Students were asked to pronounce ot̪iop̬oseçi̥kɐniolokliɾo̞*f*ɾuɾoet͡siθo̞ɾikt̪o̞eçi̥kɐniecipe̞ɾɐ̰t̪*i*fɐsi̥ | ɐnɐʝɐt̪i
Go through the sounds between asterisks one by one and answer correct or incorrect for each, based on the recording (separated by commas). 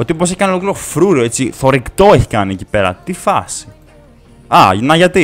correct, correct